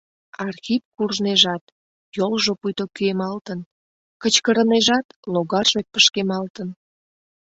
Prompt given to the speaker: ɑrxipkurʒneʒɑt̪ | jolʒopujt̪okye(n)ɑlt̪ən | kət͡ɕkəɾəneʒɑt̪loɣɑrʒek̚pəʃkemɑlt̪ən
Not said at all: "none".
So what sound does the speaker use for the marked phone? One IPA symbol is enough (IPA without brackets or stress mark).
m